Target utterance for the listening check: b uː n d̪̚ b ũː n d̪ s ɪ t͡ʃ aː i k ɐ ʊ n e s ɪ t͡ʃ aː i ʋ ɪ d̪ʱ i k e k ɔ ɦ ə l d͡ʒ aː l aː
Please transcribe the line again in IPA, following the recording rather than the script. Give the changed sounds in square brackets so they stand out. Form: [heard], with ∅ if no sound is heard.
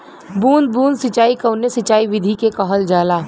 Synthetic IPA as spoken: b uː n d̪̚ b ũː n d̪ s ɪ t͡ʃ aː i k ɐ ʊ n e s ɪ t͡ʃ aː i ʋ ɪ d̪ʱ i k e k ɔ ɦ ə l d͡ʒ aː l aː

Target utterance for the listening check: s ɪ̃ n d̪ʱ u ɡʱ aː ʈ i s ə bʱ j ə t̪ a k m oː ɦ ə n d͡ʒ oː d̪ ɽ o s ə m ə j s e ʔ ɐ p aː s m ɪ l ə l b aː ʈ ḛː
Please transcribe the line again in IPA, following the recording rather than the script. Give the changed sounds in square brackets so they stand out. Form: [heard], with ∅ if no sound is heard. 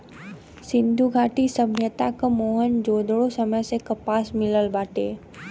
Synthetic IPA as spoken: s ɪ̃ n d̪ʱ u ɡʱ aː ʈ i s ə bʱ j ə t̪ a k m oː ɦ ə n d͡ʒ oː d̪ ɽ o s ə m ə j s e [k] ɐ p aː s m ɪ l ə l b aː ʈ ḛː

